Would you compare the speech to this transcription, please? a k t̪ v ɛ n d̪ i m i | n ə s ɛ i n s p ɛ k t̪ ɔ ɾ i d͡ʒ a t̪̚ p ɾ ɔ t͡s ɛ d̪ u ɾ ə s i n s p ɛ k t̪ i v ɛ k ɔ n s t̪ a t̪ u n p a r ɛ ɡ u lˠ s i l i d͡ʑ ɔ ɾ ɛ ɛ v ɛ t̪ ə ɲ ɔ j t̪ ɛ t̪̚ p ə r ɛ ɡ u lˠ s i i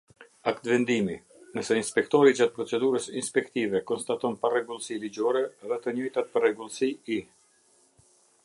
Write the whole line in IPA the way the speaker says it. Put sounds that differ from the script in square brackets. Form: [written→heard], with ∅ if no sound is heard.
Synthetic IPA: a k t̪ v ɛ n d̪ i m i | n ə s ɛ i n s p ɛ k t̪ ɔ ɾ i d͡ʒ a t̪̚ p ɾ ɔ t͡s ɛ d̪ u ɾ ə s i n s p ɛ k t̪ i v ɛ k ɔ n s t̪ a t̪ [u→ɔ] n p a r ɛ ɡ u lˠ s i l i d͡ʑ ɔ ɾ ɛ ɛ [v→ð] ɛ t̪ ə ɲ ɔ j t̪ [ɛ→a] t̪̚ p ə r ɛ ɡ u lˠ s i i